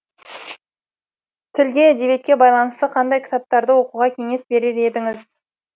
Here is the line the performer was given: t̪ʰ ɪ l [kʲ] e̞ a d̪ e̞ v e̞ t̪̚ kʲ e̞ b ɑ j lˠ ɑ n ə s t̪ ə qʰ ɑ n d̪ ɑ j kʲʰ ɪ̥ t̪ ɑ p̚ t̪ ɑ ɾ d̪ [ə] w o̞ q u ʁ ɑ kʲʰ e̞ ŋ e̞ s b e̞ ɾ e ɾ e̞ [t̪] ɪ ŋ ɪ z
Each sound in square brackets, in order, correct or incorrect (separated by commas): incorrect, correct, incorrect